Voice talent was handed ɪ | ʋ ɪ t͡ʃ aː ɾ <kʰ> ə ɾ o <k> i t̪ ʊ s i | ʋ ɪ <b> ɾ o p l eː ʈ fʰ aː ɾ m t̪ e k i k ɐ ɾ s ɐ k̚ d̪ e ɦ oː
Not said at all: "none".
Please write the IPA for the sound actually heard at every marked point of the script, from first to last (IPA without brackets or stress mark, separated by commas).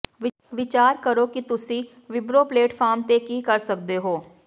k, k, b